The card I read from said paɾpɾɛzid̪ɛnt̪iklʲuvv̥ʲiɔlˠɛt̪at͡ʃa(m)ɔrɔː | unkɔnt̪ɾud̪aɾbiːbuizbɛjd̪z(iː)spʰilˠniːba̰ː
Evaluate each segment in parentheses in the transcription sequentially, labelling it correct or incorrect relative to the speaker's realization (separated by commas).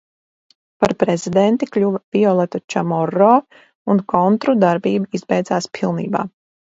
correct, incorrect